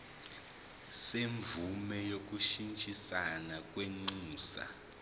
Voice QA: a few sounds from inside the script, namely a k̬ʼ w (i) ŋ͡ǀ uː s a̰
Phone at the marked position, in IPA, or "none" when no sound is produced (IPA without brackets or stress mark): e